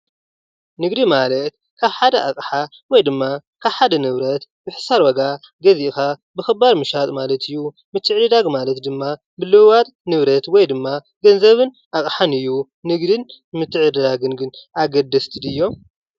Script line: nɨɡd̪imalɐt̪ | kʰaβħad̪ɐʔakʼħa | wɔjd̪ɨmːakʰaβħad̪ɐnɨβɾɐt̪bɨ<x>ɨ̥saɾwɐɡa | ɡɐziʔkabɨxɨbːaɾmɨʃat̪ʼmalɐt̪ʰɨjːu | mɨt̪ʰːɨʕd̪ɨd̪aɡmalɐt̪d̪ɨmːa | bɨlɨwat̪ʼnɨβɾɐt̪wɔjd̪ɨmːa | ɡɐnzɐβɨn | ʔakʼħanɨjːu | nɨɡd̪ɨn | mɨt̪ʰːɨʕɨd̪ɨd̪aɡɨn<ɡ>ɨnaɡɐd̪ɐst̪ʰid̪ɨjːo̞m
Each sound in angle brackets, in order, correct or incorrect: incorrect: ħ, correct

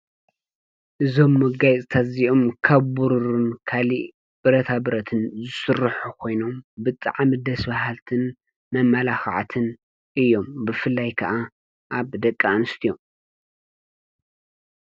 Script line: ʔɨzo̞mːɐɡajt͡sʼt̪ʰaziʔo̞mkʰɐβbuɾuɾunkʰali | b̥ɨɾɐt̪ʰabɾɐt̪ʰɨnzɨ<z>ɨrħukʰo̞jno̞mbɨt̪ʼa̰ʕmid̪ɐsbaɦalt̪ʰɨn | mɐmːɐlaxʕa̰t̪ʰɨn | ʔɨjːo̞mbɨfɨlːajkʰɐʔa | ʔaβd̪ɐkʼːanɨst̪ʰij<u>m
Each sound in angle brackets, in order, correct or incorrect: incorrect: s, incorrect: o

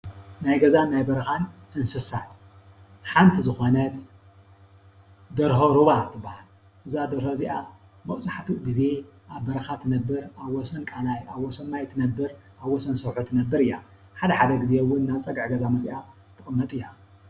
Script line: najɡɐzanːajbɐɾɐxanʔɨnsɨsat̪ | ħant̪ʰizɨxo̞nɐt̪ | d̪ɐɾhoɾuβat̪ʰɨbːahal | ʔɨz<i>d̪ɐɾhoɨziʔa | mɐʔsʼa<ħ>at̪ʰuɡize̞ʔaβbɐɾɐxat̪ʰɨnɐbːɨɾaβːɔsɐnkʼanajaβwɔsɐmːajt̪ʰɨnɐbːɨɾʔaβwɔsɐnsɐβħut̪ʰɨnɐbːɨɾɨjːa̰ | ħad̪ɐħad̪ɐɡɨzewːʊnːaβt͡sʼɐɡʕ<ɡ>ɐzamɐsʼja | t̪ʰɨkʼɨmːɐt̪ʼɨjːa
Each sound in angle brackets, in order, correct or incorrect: incorrect: a, correct, correct

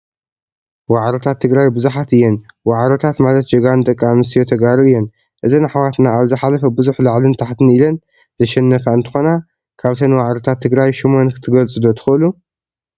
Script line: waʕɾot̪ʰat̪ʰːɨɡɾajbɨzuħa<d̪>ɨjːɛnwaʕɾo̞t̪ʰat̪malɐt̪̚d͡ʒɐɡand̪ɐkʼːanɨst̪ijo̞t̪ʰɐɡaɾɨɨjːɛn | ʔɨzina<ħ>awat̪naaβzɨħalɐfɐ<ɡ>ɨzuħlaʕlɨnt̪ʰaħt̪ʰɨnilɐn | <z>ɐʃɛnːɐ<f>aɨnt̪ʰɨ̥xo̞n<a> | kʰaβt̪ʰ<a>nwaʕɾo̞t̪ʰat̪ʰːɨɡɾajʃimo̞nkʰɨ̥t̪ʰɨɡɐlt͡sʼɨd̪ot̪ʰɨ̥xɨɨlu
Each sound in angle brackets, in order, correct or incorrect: incorrect: t̪, correct, incorrect: b, correct, correct, correct, incorrect: ɐ

